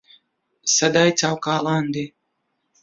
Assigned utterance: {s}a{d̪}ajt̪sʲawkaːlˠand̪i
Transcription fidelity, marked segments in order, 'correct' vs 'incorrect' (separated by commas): correct, correct